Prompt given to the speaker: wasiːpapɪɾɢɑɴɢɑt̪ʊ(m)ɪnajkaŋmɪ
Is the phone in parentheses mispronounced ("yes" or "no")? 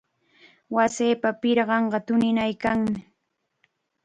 yes